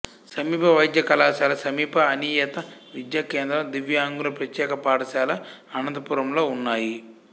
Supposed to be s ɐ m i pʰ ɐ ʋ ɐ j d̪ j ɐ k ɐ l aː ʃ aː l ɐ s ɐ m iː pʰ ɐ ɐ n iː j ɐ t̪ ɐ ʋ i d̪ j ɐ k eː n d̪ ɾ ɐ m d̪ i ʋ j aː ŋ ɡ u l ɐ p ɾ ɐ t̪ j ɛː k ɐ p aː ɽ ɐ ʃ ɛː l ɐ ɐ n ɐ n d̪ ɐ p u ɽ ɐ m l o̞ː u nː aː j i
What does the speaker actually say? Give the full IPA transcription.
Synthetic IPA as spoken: s ɐ m iː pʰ ɐ ʋ ɐ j d̪ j ɐ k ɐ l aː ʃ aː l ɐ s ɐ m iː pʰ ɐ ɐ n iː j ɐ t̪ ɐ ʋ i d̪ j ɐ k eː n d̪ ɾ ɐ m d̪ i ʋ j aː ŋ ɡ u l ɐ p ɾ ɐ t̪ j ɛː k ɐ p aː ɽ ɐ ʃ aː l ɐ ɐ n ɐ n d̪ ɐ p u ɾ ɐ m l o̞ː u nː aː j i